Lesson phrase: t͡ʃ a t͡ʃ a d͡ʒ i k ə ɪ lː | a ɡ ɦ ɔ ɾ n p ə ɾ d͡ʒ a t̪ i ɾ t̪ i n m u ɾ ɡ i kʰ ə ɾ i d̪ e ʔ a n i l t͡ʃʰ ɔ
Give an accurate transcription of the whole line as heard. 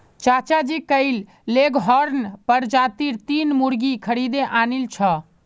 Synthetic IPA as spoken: t͡ʃ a t͡ʃ a d͡ʒ i k ə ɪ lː | e ɡ ɦ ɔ ɾ n p ə ɾ d͡ʒ a t̪ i ɾ t̪ i n m u ɾ ɡ i kʰ ə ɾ i d̪ e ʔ a n i l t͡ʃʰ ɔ